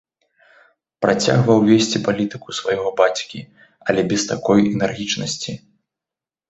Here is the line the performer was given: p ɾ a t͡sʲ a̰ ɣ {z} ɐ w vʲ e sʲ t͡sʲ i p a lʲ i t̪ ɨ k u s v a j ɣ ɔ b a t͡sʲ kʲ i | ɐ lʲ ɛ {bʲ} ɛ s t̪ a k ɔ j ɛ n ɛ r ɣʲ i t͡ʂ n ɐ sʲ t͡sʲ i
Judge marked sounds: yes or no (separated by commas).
no, yes